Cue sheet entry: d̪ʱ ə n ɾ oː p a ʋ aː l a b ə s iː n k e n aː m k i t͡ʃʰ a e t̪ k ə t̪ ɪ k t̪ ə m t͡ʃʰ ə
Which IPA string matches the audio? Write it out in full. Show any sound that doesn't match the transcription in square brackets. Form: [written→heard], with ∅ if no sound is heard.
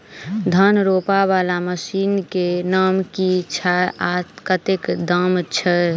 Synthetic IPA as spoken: d̪ʱ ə n ɾ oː p a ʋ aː l a [b→m] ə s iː n k e n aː m k i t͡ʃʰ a [e→a] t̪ k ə t̪ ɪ k [t̪→d̪] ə m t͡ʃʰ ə